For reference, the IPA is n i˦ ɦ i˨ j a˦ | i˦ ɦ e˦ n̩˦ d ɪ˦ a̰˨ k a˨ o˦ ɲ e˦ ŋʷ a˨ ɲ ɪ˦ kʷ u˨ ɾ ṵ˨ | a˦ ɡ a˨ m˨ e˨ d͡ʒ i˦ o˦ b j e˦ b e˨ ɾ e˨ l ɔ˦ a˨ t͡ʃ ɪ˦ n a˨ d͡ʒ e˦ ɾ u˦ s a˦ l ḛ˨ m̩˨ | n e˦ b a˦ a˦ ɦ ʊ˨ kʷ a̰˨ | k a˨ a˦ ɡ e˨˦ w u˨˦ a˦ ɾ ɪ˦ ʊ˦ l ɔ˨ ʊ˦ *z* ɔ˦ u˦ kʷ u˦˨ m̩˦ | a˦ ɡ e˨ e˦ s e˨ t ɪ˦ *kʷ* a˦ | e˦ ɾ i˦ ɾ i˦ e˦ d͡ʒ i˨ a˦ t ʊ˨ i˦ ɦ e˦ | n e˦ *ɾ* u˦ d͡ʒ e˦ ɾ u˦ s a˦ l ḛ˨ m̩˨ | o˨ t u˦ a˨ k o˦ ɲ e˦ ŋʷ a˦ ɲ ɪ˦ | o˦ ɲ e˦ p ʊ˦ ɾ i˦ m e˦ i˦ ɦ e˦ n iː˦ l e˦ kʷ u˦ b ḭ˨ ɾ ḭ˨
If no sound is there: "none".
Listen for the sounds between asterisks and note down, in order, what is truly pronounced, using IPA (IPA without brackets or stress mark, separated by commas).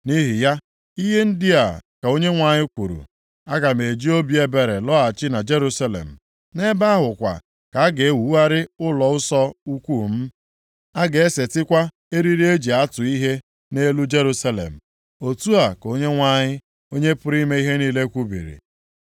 s, kʷ, l